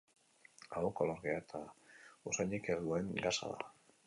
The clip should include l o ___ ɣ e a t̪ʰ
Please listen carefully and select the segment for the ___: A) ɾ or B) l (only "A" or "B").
A